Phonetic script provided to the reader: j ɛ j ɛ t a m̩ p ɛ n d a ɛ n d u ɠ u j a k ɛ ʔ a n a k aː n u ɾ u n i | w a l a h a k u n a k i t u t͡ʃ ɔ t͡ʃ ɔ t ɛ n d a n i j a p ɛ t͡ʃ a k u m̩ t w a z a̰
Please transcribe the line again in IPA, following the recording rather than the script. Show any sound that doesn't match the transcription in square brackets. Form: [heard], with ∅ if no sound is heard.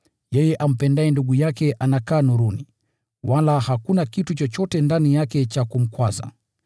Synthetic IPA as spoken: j ɛ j ɛ [ʔ] a m̩ p ɛ n d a ɛ n d u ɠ u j a k ɛ ʔ a n a k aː n u ɾ u n i | w a l a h a k u n a k i t u t͡ʃ ɔ t͡ʃ ɔ t ɛ n d a n i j a [k] ɛ t͡ʃ a k u m̩ [k] w a z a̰

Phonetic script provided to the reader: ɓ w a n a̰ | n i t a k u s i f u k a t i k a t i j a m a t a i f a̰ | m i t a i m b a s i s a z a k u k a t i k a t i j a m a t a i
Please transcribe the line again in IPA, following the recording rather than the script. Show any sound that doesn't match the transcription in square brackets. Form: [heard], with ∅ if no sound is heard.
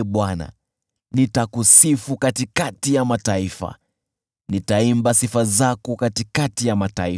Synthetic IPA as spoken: ɓ w a n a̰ | n i t a k u s i f u k a t i k a t i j a m a t a i f a̰ | [n] i t a i m b a s i [f] a z a k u k a t i k a t i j a m a t a i

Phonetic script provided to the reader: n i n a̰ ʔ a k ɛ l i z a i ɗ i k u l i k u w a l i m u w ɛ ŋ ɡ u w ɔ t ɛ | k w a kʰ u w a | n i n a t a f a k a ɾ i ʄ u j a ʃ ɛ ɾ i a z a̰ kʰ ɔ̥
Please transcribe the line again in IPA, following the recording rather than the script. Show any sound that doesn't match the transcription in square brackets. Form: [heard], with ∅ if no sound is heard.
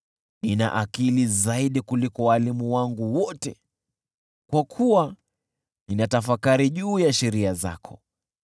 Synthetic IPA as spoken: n i n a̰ ʔ a k [i] l i z a i ɗ i k u l i k [ɔ] w a l i m u w [a] ŋ ɡ u w ɔ t ɛ | k w a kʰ u w a | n i n a t a f a k a ɾ i ʄ [uː] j a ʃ ɛ ɾ i a z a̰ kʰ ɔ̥

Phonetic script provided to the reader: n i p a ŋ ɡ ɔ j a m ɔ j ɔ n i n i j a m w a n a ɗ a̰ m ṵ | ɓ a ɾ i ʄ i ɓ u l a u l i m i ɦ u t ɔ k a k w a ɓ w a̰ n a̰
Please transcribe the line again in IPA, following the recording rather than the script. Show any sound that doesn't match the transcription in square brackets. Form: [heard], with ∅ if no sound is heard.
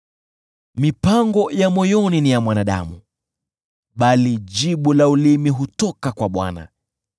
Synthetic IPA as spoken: [m] i p a ŋ ɡ ɔ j a m ɔ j ɔ n i n i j a m w a n a ɗ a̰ m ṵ | ɓ a [l] i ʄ i ɓ u l a u l i m i ɦ u t ɔ k a k w a ɓ w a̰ n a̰

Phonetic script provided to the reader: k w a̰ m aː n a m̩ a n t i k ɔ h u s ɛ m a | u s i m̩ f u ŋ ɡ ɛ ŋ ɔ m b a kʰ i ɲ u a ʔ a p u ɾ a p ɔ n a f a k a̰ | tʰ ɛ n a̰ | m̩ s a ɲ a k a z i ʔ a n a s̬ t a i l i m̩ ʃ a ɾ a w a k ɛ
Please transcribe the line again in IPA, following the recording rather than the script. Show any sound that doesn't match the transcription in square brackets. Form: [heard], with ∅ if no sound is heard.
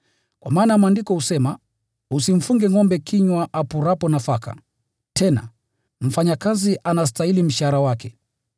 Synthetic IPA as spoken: k w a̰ m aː n a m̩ a n [d] i k ɔ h u s ɛ m a | u s i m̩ f u ŋ ɡ ɛ ŋ ɔ m b [ɛ] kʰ i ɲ [w] a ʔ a p u ɾ a p ɔ n a f a k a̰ | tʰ ɛ n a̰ | m̩ [f] a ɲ a k a z i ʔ a n a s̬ t a i l i m̩ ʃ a ɾ a w a k ɛ

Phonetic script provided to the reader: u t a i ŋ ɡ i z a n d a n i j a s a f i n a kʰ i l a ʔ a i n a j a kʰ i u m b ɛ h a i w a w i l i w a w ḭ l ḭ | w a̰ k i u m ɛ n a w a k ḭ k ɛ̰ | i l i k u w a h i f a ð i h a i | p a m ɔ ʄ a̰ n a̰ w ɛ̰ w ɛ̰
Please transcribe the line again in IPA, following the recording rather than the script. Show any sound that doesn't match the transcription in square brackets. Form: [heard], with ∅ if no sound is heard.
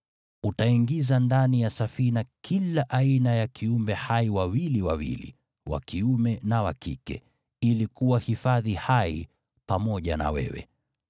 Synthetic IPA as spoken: u t a i ŋ ɡ i z a n d a n i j a s a f i n a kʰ i l a ʔ a i n a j a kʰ i u m b ɛ h a i w a w i l i w a w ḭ l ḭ | w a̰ k i u m ɛ n a w a k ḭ k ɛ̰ | i l i k u w a h i f a ð i h a i | p a m ɔ ʄ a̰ n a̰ w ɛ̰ w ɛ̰

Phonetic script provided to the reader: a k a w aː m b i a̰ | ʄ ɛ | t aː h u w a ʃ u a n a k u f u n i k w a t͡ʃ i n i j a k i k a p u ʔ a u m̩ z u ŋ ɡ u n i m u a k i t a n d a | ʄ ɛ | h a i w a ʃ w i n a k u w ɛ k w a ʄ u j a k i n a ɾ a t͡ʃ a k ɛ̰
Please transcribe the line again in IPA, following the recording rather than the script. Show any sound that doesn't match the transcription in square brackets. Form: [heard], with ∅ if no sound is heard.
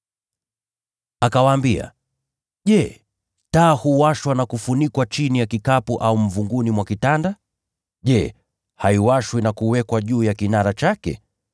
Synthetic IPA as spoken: a k a w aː m b i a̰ | ʄ ɛ | t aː h u w a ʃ [w] a n a k u f u n i k w a t͡ʃ i n i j a k i k a p u ʔ a u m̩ [v] u ŋ ɡ u n i m [w] a k i t a n d a | ʄ ɛ | h a i w a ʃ w i n a k u w ɛ k w a ʄ [uː] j a k i n a ɾ a t͡ʃ a k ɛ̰

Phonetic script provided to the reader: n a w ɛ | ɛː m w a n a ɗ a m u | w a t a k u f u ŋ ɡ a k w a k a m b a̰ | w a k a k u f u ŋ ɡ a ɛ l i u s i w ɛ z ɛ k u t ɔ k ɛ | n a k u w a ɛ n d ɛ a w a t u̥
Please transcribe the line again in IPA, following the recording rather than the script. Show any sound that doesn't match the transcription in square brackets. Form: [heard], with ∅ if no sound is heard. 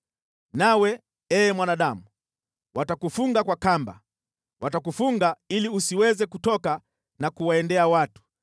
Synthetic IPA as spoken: n a w ɛ | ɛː m w a n a ɗ a m u | w a t a k u f u ŋ ɡ a k w a k a m b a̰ | w a [t] a k u f u ŋ ɡ a [i] l i u s i w ɛ z ɛ k u t ɔ k [a] | n a k u w a ɛ n d ɛ a w a t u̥

